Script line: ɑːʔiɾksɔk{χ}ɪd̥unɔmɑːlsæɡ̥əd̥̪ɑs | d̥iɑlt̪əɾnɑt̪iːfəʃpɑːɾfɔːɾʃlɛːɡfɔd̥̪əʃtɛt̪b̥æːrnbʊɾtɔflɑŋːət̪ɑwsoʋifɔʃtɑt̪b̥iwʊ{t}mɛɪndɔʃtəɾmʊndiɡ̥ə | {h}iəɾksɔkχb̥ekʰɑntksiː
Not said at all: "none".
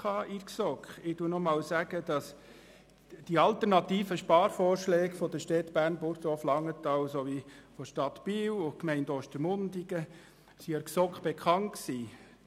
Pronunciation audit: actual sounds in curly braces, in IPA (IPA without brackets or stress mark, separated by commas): χ, k, s